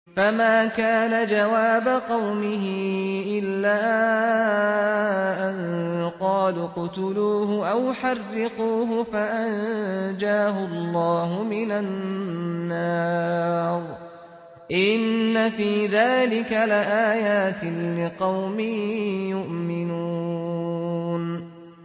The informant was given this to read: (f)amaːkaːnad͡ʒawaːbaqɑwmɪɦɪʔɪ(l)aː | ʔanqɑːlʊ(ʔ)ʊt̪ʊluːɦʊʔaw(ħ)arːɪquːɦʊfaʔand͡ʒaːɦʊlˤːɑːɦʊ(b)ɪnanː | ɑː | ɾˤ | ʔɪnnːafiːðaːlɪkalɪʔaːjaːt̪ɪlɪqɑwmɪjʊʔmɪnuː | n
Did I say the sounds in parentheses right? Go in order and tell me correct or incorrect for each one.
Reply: correct, incorrect, incorrect, correct, incorrect

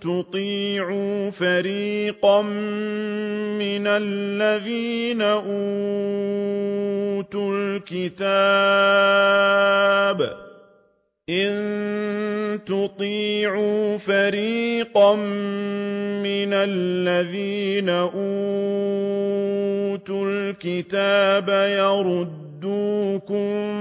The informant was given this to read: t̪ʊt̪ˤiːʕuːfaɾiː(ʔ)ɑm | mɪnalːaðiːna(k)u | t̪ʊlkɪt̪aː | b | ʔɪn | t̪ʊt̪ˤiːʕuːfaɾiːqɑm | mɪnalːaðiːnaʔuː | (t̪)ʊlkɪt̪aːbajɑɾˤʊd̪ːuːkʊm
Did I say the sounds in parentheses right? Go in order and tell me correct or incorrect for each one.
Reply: incorrect, incorrect, correct

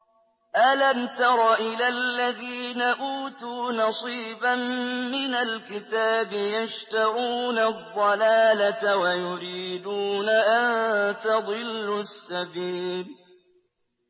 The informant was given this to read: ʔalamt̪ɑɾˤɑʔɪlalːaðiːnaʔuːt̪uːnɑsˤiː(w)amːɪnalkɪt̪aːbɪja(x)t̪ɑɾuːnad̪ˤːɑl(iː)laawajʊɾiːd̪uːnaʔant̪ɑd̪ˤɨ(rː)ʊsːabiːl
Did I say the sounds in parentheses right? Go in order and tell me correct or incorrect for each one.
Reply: incorrect, incorrect, incorrect, incorrect

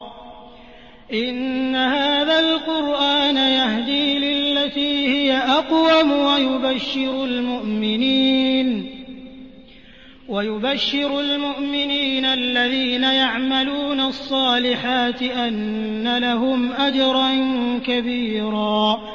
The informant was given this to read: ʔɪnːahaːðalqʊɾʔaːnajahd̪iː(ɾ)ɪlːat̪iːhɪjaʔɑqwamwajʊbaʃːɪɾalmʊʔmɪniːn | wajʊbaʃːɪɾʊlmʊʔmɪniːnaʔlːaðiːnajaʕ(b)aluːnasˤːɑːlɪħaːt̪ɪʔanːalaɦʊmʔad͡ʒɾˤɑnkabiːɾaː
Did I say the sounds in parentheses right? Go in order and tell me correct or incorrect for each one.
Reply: incorrect, incorrect

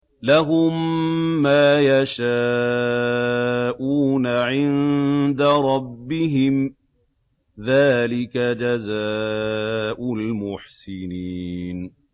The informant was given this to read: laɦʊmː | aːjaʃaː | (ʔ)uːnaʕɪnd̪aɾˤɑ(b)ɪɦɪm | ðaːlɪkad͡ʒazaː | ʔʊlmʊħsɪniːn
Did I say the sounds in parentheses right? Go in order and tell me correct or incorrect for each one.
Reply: correct, incorrect

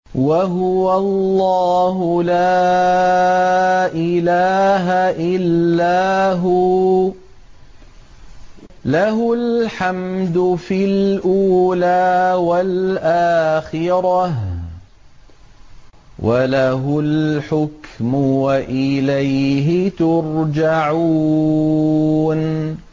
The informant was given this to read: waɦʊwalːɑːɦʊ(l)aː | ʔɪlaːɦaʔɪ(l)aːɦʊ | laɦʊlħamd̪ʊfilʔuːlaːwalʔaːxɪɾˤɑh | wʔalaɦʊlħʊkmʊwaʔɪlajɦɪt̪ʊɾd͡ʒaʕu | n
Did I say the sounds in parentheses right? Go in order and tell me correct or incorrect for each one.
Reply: correct, incorrect

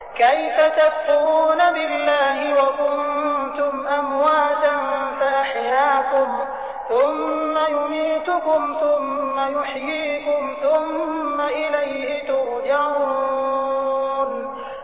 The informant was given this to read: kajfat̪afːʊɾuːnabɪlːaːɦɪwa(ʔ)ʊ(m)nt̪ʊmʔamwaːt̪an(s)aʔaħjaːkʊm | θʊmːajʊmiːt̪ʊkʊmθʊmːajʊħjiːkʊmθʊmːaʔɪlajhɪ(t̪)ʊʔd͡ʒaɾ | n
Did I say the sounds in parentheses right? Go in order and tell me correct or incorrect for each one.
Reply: incorrect, incorrect, incorrect, correct

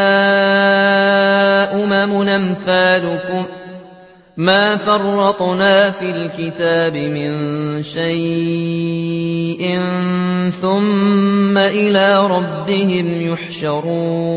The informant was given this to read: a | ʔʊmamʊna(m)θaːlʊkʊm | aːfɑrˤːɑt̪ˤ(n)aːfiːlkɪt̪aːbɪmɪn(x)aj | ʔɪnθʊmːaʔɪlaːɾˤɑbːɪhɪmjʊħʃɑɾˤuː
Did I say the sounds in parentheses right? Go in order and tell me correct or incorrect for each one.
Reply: correct, correct, incorrect

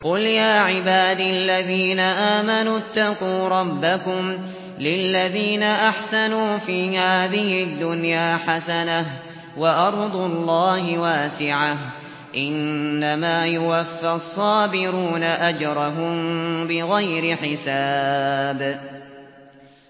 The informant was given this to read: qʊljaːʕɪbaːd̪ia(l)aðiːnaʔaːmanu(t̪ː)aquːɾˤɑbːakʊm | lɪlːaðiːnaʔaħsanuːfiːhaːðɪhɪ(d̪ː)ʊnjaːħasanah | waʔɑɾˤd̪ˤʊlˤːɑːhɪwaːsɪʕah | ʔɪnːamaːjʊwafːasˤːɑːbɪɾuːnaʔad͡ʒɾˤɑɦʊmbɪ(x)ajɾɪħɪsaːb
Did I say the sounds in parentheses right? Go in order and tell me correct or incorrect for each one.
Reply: incorrect, correct, correct, incorrect

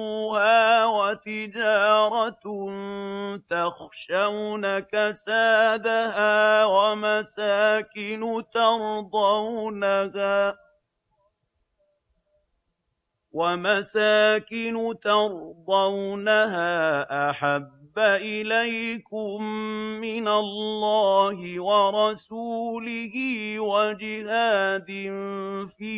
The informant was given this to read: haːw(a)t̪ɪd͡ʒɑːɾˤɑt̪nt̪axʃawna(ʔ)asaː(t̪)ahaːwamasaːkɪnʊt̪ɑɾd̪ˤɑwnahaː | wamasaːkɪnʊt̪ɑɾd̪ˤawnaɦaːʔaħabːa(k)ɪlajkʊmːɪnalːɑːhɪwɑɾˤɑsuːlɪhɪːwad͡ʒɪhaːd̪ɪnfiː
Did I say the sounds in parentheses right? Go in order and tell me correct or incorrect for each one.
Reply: correct, incorrect, incorrect, incorrect

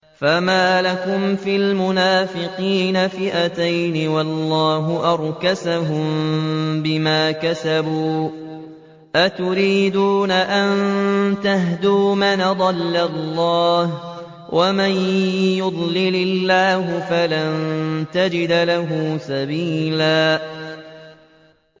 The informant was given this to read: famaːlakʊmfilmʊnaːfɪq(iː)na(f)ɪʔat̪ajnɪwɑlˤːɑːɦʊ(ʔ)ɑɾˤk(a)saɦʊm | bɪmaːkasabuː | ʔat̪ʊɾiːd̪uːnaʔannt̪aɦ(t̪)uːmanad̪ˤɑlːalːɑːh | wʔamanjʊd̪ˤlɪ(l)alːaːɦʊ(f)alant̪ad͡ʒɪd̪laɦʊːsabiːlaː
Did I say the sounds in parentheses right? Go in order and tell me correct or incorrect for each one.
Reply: correct, correct, correct, correct, incorrect, correct, correct

